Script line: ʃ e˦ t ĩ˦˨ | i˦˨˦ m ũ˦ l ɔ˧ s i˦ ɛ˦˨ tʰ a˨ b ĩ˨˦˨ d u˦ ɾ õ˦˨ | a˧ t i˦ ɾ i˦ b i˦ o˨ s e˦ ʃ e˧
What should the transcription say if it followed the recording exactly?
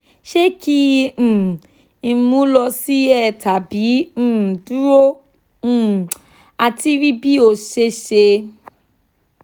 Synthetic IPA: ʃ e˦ k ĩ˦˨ | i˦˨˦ m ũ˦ l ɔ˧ s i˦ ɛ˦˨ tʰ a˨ b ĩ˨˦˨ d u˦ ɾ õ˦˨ | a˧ t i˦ ɾ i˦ b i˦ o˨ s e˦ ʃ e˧